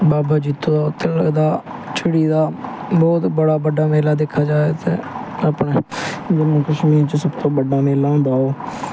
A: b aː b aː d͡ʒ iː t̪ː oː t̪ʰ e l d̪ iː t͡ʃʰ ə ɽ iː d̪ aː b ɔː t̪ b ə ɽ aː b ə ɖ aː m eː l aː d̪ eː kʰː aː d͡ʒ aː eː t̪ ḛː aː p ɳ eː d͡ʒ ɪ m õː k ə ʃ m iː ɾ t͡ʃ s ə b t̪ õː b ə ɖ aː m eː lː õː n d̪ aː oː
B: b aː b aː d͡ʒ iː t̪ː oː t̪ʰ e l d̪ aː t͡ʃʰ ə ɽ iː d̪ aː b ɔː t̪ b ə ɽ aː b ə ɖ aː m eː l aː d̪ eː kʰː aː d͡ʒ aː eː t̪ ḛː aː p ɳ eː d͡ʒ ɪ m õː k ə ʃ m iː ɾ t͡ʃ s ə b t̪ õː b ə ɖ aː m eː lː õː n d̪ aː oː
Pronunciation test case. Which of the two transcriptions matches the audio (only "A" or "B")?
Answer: B